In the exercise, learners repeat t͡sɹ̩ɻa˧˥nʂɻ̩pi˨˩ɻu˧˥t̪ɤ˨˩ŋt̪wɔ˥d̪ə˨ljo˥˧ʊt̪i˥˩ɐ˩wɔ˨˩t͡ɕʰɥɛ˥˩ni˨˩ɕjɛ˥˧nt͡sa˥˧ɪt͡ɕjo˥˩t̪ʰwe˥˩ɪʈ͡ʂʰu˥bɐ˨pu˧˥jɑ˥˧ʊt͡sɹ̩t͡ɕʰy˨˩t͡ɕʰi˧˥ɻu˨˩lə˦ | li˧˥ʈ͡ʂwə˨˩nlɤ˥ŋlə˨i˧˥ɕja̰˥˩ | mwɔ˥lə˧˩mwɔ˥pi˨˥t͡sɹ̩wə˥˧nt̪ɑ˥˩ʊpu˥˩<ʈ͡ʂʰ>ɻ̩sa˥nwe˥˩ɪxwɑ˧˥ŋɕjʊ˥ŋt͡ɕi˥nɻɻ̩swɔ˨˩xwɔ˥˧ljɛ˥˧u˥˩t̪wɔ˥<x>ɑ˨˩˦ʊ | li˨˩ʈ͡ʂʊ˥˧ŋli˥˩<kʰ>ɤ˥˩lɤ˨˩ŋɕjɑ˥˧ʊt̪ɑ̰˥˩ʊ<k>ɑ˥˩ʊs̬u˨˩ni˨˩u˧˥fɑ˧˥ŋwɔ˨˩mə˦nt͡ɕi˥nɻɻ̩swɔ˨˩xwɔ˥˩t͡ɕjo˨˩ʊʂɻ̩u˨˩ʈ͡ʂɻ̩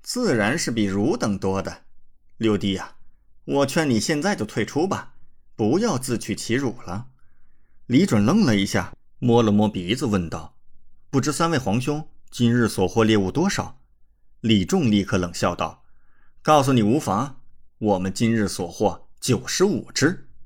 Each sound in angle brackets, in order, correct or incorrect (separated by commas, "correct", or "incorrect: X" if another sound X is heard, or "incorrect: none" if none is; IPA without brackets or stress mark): incorrect: ʈ͡ʂ, incorrect: ʂ, correct, correct